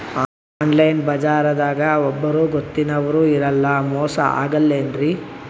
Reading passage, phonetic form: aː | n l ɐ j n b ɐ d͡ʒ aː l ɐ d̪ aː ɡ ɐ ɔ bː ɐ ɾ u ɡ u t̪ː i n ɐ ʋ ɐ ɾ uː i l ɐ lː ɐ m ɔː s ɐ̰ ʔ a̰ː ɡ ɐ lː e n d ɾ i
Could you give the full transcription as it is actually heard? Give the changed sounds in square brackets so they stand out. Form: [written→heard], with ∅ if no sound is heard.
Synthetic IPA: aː | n l ɐ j n b ɐ d͡ʒ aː [l→ɾ] ɐ d̪ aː ɡ ɐ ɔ bː ɐ ɾ u ɡ [u→o] t̪ː i n ɐ ʋ ɐ ɾ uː i [l→ɾ] ɐ lː ɐ m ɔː s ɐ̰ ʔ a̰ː ɡ ɐ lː e n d ɾ i